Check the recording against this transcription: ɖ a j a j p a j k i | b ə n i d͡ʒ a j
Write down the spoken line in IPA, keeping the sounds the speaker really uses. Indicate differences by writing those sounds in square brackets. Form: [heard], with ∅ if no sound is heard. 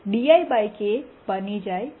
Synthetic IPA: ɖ [i] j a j [b] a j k [e] | b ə n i d͡ʒ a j